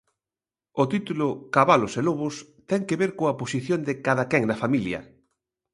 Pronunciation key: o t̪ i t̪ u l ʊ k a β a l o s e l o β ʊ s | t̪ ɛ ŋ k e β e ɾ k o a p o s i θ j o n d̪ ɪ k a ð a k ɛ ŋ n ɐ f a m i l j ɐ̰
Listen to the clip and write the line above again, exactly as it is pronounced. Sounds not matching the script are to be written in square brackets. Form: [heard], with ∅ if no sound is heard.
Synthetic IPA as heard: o t̪ i t̪ u l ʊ k a β a l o s e l o β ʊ s | t̪ ɛ ŋ k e β e ɾ k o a p o s i θ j o n d̪ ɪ k a ð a k ɛ ŋ n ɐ f a m i l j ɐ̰